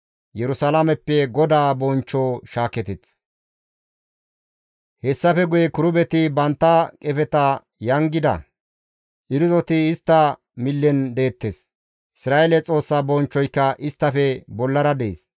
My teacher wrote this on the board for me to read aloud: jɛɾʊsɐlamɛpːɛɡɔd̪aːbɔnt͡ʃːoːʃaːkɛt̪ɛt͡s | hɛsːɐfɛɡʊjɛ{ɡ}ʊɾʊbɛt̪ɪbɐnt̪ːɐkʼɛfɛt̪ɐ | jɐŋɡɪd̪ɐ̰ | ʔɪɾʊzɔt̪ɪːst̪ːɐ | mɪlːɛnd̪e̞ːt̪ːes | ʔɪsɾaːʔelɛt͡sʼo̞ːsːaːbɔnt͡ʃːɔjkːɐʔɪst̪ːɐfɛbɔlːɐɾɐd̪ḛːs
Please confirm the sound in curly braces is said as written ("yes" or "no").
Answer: no